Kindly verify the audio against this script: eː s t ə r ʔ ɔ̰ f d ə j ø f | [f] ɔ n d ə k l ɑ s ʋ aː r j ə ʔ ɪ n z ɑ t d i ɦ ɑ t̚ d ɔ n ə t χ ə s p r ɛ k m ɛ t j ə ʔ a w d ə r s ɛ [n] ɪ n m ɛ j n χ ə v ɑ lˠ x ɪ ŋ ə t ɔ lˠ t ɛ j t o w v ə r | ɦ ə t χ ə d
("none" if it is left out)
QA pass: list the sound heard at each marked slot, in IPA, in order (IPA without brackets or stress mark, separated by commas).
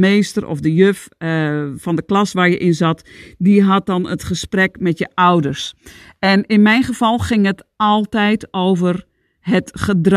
f, n